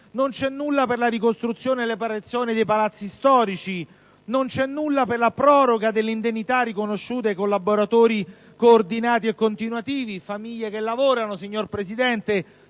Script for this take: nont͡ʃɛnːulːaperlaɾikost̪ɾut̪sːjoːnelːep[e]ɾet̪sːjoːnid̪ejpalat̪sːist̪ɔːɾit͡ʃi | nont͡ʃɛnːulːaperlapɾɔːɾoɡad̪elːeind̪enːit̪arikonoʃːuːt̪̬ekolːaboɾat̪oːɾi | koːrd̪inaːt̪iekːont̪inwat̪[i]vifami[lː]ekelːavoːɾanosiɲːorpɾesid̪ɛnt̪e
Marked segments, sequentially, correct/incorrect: incorrect, incorrect, incorrect

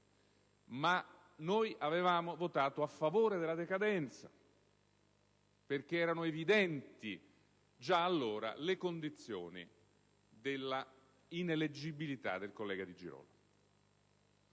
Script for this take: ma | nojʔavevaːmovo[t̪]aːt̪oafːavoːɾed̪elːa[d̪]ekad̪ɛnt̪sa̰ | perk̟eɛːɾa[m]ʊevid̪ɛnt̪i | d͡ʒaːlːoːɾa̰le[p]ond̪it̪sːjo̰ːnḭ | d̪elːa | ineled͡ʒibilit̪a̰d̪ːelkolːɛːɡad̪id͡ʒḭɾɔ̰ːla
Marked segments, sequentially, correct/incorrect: correct, correct, incorrect, incorrect

